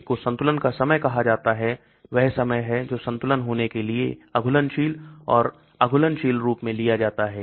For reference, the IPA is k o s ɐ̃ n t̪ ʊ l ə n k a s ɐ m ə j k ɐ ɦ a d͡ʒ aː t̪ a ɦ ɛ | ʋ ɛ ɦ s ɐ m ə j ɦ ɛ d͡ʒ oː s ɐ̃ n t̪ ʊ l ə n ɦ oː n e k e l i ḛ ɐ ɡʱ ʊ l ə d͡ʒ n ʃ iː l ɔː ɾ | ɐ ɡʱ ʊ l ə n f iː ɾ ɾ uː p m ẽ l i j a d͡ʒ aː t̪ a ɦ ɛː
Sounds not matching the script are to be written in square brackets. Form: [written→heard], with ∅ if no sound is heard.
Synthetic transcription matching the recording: k o s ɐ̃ n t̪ ʊ l ə n k a s ɐ m ə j k ɐ ɦ a d͡ʒ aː t̪ a ɦ ɛ | ʋ ɛ ɦ s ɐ m ə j ɦ ɛ d͡ʒ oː s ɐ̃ n t̪ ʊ l ə n ɦ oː n e k e l i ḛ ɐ ɡʱ ʊ l ə [d͡ʒ→∅] n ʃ iː l ɔː ɾ | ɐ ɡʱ ʊ l ə n [f→ʃ] iː [ɾ→l] ɾ uː p m ẽ l i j a d͡ʒ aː t̪ a ɦ ɛː